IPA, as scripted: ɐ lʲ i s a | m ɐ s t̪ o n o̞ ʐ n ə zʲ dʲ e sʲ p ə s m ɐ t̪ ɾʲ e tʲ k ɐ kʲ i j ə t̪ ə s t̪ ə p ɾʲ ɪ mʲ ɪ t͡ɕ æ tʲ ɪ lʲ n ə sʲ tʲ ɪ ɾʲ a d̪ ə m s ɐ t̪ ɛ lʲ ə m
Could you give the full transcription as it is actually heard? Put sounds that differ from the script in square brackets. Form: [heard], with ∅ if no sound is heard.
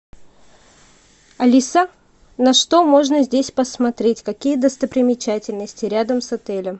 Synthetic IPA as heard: ɐ lʲ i s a | [n] ɐ [ʂ] t̪ o [m] o̞ ʐ n ə zʲ dʲ e sʲ p ə s m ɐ t̪ ɾʲ e tʲ k ɐ kʲ i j ə [d̪] ə s t̪ ə p ɾʲ ɪ mʲ ɪ t͡ɕ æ tʲ ɪ lʲ n ə sʲ tʲ ɪ ɾʲ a d̪ ə m s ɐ t̪ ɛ lʲ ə m